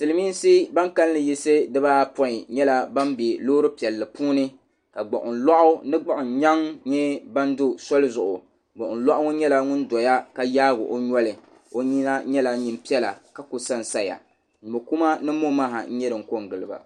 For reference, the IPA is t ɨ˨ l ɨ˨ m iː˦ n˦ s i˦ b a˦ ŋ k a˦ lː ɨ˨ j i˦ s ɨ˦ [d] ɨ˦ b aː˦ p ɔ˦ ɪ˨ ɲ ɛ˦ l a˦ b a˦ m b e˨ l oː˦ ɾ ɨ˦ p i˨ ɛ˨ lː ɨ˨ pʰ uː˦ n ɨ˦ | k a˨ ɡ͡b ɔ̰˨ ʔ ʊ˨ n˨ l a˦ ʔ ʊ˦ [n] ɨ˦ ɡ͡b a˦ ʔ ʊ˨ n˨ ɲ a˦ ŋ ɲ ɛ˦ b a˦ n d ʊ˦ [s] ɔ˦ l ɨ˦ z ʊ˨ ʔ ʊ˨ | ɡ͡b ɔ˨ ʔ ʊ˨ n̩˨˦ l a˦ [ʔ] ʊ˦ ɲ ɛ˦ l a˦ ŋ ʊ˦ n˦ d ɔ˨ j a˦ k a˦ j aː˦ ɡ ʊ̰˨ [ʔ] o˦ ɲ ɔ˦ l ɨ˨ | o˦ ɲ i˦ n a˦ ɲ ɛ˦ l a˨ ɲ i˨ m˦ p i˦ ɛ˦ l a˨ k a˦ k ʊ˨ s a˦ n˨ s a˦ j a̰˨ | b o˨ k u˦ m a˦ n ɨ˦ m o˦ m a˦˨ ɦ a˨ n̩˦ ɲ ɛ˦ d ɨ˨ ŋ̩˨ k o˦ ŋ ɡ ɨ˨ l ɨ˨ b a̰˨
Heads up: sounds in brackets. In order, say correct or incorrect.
correct, correct, correct, correct, correct

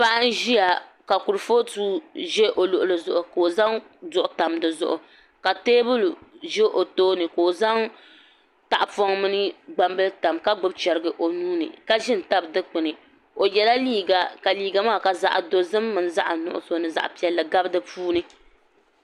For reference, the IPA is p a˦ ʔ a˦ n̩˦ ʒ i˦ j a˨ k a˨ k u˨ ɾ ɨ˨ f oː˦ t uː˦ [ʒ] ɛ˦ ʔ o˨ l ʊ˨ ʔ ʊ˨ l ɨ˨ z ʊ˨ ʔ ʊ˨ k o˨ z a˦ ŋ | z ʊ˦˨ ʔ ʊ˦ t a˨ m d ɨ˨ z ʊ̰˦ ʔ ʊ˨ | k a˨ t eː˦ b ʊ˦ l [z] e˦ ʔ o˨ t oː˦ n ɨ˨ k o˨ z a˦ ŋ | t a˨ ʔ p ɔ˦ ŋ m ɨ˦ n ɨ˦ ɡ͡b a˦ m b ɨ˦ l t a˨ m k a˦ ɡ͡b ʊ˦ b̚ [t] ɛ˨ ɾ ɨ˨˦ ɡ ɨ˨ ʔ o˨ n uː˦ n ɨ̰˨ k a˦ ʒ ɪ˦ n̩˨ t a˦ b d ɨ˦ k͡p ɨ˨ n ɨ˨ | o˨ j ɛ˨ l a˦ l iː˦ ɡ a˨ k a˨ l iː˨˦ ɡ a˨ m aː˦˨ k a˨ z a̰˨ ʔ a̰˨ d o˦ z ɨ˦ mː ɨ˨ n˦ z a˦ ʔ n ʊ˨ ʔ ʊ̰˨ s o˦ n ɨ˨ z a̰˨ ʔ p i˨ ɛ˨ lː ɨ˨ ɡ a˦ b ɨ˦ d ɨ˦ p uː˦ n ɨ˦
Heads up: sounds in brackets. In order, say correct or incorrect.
correct, incorrect: ʒ, incorrect: t͡ʃ

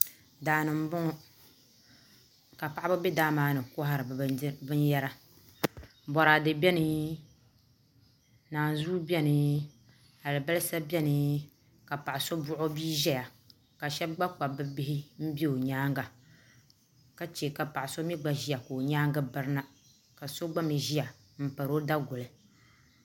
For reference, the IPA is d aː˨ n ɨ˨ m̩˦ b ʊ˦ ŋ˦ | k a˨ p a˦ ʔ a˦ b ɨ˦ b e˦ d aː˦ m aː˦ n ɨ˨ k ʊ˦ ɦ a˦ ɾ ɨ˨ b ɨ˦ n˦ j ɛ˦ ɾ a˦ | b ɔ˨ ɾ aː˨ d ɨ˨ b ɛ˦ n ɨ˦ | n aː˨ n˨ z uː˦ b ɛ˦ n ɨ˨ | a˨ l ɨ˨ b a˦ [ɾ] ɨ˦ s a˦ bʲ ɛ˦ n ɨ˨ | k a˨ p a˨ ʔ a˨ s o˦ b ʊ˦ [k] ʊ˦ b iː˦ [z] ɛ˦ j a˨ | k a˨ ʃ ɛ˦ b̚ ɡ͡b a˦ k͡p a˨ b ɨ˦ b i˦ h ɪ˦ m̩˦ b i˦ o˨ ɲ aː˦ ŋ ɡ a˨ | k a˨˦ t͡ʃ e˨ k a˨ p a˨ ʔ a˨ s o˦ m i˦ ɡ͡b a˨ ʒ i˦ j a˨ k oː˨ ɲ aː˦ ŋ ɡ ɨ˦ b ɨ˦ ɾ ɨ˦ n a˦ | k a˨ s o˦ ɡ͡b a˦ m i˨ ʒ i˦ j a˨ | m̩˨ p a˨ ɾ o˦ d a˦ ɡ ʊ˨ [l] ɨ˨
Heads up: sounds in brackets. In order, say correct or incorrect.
incorrect: l, incorrect: ʔ, incorrect: ʒ, correct

